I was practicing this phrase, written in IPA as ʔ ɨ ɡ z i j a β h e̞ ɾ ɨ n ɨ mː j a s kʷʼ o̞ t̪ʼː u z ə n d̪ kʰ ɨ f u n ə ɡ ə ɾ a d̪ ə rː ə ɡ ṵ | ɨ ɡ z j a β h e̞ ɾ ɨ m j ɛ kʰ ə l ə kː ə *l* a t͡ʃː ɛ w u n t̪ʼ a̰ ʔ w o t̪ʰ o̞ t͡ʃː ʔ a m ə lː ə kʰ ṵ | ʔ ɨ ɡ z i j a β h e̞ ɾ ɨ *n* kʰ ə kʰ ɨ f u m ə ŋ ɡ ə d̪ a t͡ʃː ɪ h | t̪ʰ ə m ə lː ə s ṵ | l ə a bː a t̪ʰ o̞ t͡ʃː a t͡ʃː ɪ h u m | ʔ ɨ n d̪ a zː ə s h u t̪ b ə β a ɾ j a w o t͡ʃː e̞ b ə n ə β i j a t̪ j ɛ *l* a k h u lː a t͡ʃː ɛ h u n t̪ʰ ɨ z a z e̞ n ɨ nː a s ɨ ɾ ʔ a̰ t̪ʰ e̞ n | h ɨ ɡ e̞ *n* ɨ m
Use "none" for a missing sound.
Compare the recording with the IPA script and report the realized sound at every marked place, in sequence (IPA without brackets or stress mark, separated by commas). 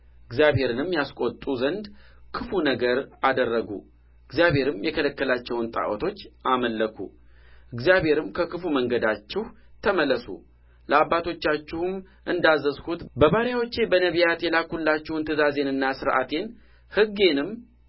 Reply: l, m, l, n